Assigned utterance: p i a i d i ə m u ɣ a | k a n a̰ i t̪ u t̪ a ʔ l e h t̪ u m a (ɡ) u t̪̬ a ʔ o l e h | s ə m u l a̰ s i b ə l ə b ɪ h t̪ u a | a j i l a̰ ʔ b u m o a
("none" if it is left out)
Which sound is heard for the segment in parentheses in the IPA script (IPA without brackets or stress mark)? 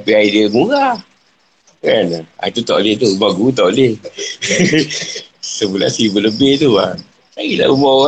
ɡ